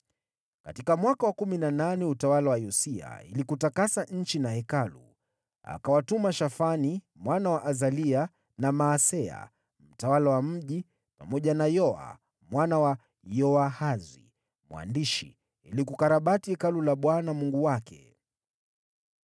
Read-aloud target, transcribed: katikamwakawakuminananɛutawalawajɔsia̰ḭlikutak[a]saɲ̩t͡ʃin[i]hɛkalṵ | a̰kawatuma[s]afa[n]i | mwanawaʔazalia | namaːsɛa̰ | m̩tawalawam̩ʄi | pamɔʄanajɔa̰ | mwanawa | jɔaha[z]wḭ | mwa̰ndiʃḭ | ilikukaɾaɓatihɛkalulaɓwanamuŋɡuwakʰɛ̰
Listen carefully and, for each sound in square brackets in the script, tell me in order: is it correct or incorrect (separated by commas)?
correct, incorrect, incorrect, correct, correct